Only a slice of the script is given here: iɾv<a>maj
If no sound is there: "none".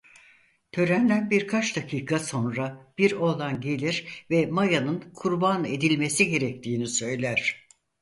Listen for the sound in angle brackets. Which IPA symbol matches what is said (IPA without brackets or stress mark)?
ɛ